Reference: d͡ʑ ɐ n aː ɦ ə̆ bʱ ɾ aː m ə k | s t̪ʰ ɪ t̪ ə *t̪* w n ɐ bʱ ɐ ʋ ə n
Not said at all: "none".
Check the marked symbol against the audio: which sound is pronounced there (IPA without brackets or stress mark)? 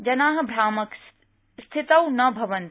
none